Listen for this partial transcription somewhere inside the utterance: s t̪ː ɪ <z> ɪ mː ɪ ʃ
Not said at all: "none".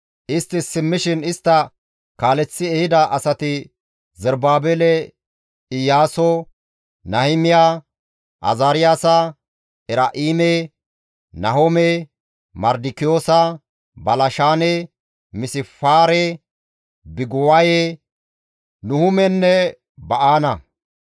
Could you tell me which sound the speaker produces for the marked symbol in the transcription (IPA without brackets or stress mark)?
s